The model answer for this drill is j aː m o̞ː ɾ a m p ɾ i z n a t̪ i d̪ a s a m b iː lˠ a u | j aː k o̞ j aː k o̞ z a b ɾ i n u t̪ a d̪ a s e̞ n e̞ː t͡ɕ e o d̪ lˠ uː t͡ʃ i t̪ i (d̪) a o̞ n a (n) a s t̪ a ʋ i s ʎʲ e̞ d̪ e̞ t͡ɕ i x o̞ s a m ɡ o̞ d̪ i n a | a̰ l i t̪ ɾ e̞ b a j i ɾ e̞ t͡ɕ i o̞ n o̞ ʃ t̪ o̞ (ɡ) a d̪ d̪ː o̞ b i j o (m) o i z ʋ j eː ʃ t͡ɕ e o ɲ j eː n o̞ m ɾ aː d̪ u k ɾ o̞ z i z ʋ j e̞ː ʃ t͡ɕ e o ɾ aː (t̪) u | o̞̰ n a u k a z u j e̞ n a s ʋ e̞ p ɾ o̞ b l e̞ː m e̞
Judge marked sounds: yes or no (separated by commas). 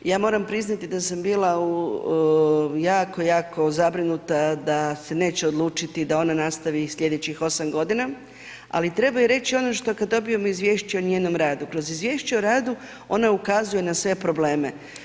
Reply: yes, yes, no, yes, no